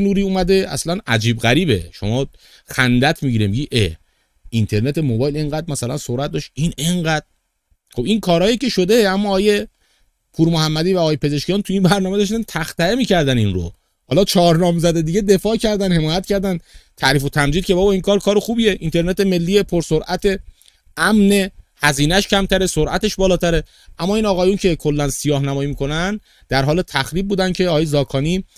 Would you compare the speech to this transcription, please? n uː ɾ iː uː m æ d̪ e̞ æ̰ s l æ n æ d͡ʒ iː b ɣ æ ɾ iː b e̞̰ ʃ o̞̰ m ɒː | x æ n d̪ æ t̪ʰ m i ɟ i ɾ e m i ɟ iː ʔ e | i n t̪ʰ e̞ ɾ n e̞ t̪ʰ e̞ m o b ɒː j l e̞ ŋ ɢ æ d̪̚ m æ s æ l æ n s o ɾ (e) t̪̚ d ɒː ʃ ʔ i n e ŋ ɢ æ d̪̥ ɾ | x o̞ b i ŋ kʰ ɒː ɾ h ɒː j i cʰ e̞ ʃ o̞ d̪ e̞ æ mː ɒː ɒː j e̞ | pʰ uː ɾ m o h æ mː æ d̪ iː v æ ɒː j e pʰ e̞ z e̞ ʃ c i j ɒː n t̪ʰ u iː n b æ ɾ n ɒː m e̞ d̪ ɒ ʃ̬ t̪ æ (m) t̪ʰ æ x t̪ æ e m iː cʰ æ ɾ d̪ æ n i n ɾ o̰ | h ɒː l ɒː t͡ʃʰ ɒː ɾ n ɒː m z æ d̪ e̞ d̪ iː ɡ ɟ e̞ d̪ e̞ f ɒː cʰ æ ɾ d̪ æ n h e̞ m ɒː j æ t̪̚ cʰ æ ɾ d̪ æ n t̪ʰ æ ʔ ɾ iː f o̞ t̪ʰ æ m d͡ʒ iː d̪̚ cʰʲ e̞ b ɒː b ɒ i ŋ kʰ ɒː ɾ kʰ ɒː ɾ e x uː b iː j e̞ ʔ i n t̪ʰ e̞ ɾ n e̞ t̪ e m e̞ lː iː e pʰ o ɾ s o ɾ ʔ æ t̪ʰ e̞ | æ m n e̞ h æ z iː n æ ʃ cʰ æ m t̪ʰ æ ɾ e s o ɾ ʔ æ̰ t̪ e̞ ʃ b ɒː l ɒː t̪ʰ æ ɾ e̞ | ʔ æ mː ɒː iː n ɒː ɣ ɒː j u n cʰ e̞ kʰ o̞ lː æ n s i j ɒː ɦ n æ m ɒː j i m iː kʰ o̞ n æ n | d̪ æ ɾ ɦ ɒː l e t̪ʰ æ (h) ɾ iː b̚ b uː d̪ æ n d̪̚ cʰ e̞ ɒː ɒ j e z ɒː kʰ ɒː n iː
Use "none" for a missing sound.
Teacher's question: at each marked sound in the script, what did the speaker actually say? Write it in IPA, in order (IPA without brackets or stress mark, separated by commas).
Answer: æ, n, x